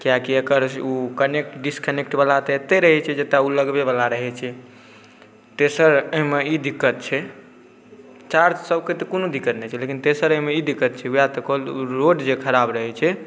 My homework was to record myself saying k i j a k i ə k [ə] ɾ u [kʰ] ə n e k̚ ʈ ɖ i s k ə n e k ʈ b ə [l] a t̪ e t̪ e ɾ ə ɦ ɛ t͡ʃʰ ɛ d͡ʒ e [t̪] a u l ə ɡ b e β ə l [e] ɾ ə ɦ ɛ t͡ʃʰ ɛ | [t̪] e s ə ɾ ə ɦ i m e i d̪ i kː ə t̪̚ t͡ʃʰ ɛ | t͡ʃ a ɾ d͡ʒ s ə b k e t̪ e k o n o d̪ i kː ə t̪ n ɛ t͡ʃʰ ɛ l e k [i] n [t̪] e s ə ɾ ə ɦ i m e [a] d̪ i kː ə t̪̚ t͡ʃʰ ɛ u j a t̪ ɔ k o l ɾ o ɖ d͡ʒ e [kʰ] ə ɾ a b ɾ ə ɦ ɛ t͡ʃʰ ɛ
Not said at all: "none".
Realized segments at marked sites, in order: ə, k, l, t̪, a, t̪, i, t̪, i, kʰ

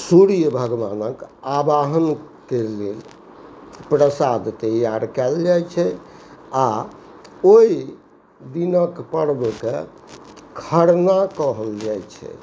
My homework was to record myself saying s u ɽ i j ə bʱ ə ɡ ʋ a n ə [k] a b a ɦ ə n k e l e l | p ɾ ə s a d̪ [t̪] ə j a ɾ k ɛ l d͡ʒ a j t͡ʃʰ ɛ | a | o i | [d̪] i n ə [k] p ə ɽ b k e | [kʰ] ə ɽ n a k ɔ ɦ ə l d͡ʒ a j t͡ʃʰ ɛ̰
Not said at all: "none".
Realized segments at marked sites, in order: k, t̪, d̪, k, kʰ

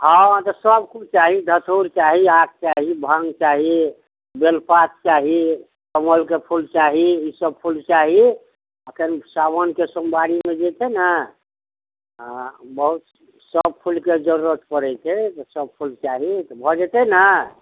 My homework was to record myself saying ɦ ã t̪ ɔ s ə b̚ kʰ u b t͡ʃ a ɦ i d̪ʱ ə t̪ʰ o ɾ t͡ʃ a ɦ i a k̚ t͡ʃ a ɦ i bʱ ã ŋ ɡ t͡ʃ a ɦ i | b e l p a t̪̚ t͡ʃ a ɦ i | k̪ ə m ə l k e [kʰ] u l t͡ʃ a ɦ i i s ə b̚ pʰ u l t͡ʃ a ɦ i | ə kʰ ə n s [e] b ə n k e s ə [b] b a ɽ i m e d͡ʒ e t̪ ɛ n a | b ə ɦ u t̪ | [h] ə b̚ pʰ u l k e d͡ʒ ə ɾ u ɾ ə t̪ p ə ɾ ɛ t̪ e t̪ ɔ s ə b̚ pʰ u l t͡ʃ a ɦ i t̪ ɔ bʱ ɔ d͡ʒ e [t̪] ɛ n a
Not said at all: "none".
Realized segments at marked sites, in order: pʰ, a, m, s, t̪

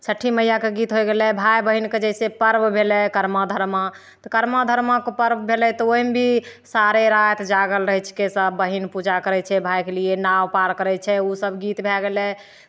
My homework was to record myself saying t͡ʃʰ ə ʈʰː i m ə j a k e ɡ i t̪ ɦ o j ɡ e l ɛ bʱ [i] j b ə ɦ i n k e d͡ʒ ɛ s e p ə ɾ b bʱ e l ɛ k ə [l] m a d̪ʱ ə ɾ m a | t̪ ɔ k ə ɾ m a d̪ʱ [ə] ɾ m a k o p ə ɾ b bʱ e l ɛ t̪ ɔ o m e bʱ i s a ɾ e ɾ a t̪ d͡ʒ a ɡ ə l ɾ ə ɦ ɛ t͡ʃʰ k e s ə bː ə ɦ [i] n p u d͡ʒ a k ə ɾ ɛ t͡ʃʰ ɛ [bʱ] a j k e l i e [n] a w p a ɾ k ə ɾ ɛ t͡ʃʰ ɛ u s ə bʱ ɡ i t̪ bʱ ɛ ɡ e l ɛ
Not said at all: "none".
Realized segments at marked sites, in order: a, ɾ, ə, i, bʱ, n

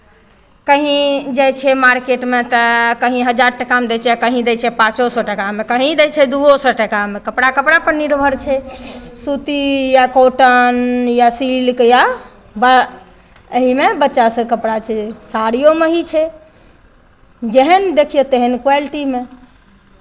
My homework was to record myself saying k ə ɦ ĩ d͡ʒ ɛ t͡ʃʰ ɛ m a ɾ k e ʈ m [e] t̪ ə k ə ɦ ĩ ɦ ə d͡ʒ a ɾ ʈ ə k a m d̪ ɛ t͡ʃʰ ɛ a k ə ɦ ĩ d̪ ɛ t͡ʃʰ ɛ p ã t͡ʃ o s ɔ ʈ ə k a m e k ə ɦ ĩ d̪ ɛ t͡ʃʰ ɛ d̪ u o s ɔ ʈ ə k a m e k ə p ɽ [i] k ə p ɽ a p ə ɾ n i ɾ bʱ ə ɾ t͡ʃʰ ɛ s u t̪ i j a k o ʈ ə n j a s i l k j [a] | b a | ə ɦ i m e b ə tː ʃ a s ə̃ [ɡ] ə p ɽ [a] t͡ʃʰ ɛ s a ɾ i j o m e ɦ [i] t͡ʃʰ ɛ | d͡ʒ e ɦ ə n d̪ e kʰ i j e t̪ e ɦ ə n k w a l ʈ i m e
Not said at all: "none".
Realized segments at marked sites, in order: e, a, a, k, a, i

